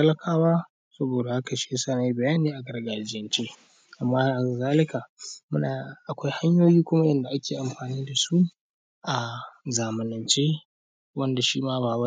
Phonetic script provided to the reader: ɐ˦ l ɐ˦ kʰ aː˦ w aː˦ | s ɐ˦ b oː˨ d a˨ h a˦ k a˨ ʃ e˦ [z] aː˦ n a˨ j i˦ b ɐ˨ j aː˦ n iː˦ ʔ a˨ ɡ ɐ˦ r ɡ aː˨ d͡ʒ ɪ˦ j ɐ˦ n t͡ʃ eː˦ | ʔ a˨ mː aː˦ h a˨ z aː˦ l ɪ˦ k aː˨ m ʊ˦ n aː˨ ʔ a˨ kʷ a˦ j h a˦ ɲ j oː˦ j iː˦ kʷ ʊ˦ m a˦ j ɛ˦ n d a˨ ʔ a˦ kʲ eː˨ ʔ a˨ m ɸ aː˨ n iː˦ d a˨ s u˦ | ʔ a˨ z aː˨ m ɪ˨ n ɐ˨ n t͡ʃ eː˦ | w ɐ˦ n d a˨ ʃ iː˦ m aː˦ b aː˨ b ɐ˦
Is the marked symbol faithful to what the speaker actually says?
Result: no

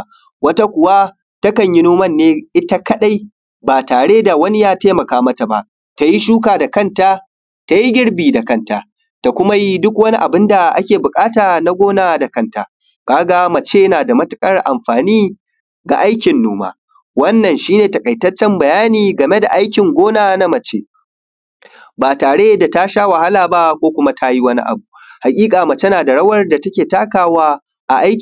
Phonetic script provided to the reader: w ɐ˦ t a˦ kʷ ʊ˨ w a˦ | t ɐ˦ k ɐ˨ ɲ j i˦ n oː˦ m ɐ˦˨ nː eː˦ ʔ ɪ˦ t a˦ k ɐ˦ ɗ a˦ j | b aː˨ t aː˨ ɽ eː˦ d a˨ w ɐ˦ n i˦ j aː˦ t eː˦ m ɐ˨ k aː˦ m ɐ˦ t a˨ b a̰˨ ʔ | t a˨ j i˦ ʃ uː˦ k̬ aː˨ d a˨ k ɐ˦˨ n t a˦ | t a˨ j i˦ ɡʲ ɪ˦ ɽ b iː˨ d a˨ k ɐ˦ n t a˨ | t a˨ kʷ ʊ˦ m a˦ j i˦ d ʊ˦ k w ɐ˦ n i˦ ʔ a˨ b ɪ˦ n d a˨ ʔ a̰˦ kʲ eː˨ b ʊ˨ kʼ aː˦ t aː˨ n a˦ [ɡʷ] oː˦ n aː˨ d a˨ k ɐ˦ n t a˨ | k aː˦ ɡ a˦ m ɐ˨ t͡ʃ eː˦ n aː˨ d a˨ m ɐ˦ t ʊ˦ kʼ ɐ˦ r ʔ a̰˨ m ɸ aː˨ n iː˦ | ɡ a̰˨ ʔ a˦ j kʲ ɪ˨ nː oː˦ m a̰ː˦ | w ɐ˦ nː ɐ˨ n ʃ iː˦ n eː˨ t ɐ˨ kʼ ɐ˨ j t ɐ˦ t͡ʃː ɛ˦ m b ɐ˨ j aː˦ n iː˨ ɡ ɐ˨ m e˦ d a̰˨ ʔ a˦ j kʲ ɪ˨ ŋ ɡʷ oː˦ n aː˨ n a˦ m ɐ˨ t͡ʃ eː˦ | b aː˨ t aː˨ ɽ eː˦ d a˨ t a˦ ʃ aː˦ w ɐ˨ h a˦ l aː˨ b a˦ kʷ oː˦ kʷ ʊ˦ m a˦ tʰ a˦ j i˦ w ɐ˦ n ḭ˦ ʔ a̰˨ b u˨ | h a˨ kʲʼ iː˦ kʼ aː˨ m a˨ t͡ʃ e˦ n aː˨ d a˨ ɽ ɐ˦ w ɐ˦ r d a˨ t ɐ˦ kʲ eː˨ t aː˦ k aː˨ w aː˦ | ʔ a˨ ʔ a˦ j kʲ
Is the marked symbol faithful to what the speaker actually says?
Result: yes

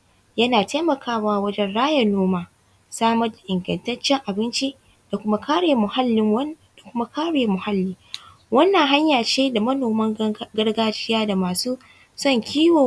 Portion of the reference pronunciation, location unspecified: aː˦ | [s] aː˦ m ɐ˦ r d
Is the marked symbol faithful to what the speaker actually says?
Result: yes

